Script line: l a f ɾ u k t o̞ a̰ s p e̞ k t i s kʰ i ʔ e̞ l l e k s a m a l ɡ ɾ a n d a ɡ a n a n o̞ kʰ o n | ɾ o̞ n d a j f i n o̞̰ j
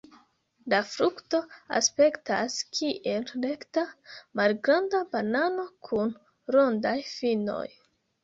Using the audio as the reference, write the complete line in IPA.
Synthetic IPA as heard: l a f ɾ u k t o̞ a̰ s p e̞ k t a s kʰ i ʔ e̞ l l e k t a m a l ɡ ɾ a n d a b a n a n o̞ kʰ u n | ɾ o̞ n d a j f i n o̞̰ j